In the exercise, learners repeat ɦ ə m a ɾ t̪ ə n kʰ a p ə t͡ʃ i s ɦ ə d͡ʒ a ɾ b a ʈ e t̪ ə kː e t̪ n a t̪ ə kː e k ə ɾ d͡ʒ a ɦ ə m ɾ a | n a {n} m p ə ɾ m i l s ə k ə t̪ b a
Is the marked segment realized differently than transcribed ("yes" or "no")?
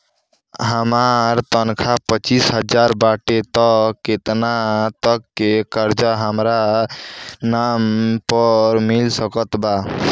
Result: yes